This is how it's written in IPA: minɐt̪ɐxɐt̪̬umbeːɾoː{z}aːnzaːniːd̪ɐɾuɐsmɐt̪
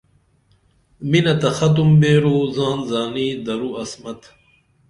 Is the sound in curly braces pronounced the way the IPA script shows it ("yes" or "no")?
yes